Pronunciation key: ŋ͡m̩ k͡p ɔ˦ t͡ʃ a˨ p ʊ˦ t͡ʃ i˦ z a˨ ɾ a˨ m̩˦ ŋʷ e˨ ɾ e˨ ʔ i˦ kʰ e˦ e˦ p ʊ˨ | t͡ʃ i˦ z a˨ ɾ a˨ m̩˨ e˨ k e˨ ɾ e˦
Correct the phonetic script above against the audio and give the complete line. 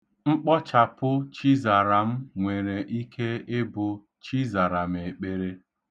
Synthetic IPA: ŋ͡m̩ k͡p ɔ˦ t͡ʃ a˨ p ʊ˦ t͡ʃ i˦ z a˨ ɾ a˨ m̩˦ ŋʷ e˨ ɾ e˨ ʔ i˦ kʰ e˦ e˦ b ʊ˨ | t͡ʃ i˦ z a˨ ɾ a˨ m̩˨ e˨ k͡p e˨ ɾ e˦

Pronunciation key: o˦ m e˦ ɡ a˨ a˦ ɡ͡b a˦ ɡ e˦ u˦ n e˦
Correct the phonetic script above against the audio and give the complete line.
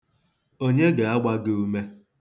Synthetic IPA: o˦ ɲ e˦ ɡ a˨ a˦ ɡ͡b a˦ ɡ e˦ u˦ m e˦

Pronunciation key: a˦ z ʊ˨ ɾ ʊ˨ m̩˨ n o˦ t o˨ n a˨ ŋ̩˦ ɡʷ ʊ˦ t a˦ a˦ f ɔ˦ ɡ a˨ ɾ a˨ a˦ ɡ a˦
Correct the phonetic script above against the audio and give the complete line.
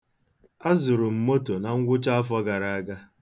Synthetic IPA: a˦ z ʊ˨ ɾ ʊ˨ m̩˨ m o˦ t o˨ n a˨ ŋ̩˦ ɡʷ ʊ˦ t͡ʃ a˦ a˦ f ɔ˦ ɡ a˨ ɾ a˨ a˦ ɡ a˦

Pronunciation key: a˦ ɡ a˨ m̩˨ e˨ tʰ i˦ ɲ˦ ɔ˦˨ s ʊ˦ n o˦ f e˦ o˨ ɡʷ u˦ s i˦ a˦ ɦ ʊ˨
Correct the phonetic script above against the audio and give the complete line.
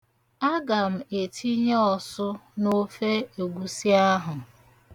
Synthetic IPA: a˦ ɡ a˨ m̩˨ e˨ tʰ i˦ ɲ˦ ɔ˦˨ s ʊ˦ n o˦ f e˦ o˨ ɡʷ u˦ s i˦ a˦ ɦ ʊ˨

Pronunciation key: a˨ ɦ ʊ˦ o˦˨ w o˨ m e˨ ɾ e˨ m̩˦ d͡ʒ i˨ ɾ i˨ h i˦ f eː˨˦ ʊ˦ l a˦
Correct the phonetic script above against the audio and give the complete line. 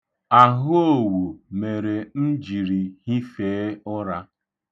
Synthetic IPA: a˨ ɦ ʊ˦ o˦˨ w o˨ m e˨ ɾ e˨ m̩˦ d͡ʒ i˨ ɾ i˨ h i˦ f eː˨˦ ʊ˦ ɾ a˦

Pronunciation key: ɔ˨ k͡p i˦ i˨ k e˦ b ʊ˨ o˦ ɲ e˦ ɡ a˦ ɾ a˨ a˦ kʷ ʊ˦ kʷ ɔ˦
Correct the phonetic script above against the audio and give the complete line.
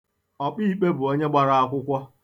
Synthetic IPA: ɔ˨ k͡p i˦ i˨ k͡p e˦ b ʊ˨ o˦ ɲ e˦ ɡ͡b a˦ ɾ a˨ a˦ kʷ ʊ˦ kʷ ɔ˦

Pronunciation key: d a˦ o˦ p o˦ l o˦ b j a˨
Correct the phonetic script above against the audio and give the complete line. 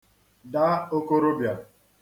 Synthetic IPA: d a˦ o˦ k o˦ ɾ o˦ b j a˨

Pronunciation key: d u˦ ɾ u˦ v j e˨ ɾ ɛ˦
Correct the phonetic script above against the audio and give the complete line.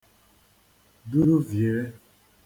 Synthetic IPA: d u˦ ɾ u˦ v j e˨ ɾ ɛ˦

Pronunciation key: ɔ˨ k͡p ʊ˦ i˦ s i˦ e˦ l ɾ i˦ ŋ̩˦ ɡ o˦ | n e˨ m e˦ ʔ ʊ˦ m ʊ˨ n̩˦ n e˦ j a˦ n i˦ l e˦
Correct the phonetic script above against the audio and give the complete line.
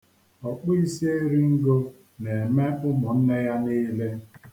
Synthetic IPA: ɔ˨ k͡p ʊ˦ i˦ s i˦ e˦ ɾ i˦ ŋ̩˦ ɡ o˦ | n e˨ m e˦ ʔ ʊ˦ m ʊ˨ n̩˦ n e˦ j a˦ n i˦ l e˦

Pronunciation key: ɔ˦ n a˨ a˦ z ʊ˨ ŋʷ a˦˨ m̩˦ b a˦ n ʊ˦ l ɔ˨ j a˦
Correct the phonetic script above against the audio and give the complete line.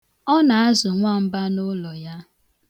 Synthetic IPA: ɔ˦ n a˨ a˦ z ʊ˨ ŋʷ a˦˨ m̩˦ b a˦ n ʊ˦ l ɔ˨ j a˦

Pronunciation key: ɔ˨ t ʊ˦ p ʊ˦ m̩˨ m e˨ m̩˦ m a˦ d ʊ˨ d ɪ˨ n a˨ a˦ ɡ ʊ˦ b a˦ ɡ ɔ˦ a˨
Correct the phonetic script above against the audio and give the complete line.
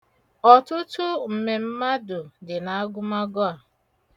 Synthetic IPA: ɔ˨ t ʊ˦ t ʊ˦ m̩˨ m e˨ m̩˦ m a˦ d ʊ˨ d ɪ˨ n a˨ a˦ ɡ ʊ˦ m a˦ ɡ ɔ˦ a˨

